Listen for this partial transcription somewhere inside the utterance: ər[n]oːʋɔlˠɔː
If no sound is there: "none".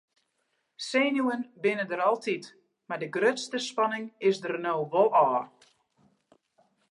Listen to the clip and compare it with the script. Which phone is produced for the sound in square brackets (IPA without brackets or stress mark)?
n